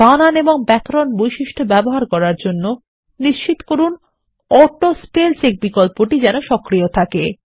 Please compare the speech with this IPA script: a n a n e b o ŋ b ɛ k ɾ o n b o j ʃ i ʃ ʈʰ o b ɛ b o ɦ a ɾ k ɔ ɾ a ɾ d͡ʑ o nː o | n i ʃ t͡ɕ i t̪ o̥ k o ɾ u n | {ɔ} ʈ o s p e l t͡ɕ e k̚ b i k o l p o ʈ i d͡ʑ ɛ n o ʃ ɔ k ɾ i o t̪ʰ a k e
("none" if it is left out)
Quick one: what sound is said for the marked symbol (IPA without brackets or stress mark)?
ɔ